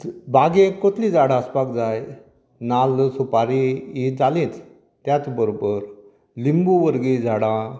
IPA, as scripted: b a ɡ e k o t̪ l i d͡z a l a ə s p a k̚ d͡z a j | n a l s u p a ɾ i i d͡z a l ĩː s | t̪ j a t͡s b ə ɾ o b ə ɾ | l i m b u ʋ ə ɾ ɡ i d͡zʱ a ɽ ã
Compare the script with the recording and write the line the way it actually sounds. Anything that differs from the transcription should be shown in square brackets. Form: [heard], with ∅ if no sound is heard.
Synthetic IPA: b a ɡ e k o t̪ l i d͡z a [ɽ] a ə s p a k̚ d͡z a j | n a l s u p a ɾ i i d͡z a l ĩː [t͡s] | t̪ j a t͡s b ə ɾ o b ə ɾ | l i m b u ʋ ə ɾ ɡ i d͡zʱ a ɽ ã